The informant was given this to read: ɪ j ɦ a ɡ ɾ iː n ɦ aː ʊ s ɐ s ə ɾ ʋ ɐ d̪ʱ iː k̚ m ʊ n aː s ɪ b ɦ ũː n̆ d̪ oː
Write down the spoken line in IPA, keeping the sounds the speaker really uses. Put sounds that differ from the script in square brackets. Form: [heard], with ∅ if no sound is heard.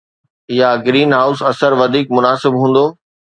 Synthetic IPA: ɪ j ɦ a ɡ ɾ iː n ɦ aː ʊ s ɐ s ə ɾ ʋ ɐ d̪ʱ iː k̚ m ʊ n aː s ɪ b ɦ ũː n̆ d̪ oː